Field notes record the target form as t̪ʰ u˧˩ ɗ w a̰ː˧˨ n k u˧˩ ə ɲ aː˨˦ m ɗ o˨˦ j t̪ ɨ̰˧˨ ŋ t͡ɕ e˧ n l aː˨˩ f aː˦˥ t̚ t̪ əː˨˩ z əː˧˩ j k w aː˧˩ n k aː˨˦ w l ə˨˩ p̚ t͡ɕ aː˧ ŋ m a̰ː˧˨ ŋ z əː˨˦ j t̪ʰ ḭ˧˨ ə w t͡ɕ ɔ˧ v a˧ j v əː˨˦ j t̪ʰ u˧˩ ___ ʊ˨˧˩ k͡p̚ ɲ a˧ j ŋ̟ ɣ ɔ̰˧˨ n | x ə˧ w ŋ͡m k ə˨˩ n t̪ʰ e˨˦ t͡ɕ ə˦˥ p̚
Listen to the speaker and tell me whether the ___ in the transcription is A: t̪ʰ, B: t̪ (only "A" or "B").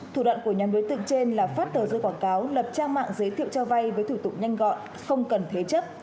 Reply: B